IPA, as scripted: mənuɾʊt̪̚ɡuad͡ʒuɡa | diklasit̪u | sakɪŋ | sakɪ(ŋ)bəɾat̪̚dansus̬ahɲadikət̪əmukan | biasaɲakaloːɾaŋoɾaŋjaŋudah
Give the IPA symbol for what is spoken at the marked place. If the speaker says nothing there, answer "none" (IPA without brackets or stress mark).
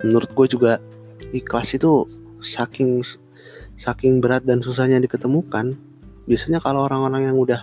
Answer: ŋ